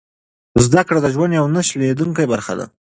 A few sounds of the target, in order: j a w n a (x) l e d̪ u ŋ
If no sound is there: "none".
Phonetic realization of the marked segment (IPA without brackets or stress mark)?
ʃ